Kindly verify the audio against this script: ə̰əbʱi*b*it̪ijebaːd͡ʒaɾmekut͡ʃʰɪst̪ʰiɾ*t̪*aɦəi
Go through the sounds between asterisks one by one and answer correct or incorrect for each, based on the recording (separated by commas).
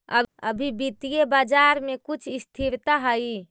correct, correct